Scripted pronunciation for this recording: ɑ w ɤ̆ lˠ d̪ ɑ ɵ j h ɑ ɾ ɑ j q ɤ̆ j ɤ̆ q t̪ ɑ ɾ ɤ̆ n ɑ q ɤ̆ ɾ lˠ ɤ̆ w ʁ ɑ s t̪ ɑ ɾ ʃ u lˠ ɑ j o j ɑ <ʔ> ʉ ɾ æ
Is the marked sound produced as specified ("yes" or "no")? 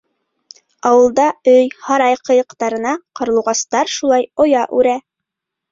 yes